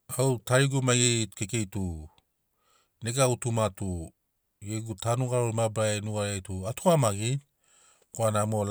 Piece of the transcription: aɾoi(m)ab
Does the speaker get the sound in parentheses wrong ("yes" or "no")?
no